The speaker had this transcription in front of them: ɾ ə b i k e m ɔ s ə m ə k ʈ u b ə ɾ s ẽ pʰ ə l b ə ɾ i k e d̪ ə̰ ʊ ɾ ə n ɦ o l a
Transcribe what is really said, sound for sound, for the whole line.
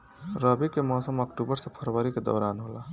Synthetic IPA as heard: ɾ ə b i k e m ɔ s ə m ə k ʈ u b ə ɾ s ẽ pʰ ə ɾ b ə ɾ i k e d̪ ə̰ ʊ ɾ a n ɦ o l a